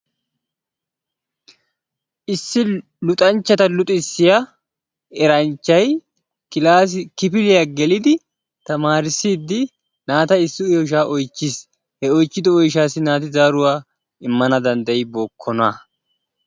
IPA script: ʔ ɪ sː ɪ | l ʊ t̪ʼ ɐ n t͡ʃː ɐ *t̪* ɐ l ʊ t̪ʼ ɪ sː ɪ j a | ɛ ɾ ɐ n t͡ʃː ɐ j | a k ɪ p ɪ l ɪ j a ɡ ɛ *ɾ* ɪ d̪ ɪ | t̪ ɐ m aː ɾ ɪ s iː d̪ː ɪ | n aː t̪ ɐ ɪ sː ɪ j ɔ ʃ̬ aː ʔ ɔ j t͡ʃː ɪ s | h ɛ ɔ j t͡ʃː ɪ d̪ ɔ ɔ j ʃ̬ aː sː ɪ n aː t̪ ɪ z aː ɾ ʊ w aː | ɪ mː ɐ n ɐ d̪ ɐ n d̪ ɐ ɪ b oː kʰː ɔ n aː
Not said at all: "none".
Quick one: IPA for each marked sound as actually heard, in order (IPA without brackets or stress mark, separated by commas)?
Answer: t̪, l